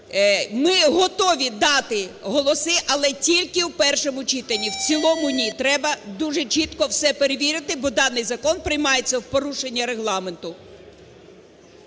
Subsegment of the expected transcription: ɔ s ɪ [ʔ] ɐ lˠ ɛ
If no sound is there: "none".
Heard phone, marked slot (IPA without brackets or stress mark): ʔ